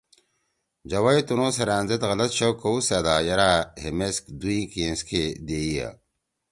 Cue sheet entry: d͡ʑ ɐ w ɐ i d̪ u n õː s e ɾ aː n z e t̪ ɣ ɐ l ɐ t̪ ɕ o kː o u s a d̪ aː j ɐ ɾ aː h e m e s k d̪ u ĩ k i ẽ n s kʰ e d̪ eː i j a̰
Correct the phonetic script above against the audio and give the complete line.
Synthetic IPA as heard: d͡ʑ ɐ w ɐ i t̪ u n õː s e ɾ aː n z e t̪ ɣ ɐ l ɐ t̪ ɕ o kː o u s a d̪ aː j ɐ ɾ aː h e m e s k d̪ u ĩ k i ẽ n s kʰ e d̪ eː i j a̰